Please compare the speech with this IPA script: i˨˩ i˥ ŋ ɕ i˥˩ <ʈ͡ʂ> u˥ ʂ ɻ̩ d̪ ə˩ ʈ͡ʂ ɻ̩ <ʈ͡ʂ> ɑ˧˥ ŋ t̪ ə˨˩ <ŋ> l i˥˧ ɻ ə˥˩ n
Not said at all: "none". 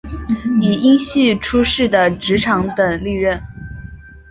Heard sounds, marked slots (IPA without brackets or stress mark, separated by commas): ʈ͡ʂʰ, ʈ͡ʂʰ, ŋ